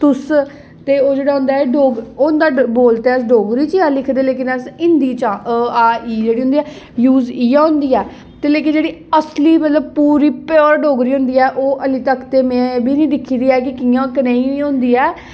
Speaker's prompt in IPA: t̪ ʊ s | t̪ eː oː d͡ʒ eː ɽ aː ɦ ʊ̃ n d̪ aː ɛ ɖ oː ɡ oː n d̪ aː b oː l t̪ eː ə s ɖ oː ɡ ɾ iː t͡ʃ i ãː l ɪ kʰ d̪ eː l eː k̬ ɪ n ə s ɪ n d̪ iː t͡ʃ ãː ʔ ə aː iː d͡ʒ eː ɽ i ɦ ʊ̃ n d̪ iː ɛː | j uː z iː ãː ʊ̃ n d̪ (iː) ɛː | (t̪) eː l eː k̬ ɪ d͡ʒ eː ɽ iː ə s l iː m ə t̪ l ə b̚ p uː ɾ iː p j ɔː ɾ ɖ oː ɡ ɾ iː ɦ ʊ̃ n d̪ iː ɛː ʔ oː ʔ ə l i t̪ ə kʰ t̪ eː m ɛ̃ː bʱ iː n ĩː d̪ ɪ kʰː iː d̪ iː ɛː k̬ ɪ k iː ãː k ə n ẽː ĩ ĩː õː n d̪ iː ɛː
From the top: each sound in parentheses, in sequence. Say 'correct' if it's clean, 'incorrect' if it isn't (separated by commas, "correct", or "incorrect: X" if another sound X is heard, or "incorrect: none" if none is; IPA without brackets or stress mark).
correct, correct